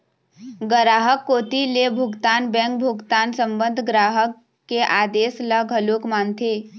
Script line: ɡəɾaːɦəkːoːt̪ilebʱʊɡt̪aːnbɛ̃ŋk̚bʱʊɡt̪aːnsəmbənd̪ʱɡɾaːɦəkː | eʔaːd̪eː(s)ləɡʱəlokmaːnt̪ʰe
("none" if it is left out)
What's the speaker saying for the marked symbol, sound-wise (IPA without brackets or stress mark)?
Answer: s